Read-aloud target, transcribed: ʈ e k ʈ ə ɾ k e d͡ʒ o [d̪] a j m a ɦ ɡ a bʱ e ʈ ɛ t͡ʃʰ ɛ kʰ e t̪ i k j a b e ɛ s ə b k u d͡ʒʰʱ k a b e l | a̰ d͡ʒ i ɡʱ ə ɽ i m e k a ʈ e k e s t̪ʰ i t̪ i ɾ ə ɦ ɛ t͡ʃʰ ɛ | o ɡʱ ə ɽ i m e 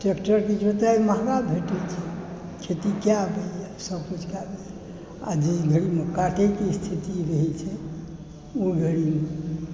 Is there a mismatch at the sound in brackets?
yes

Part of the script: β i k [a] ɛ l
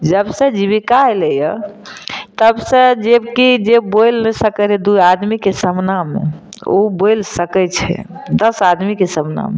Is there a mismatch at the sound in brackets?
no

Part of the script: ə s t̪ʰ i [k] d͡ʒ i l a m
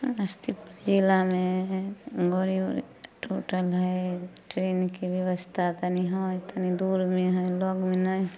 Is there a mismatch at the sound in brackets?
yes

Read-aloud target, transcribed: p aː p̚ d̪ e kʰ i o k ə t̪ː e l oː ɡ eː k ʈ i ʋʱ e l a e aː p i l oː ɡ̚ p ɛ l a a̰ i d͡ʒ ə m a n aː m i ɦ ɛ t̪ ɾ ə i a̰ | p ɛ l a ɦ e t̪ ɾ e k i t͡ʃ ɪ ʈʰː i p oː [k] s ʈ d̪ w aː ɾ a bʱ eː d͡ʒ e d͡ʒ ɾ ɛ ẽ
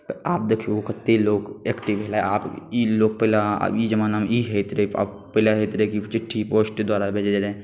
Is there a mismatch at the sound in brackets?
yes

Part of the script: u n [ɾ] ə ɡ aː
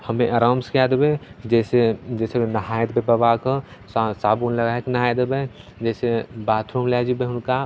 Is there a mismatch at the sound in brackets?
yes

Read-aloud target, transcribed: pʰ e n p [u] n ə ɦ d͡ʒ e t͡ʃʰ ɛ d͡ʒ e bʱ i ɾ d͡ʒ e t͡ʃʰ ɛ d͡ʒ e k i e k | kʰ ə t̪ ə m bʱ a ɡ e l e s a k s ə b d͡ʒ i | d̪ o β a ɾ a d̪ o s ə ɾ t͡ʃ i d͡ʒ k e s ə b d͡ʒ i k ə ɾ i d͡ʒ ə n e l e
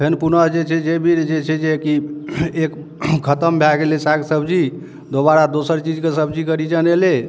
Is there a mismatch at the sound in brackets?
no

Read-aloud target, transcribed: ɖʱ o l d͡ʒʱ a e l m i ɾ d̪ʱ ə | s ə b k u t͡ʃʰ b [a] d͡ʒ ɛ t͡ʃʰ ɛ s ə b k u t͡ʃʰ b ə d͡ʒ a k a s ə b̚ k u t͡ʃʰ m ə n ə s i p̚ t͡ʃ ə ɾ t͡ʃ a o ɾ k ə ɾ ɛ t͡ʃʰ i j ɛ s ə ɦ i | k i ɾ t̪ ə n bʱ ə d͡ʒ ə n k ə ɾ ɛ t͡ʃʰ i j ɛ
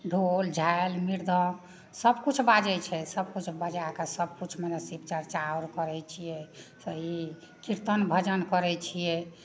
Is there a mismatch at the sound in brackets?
no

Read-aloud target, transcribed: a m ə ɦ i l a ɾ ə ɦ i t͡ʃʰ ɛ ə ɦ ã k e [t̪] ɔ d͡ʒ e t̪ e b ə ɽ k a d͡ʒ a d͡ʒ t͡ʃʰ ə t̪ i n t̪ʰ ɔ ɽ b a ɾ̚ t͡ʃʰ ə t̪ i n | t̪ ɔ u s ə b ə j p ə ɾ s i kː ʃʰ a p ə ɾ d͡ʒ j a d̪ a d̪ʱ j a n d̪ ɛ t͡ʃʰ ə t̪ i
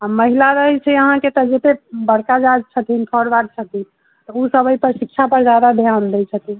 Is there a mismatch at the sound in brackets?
no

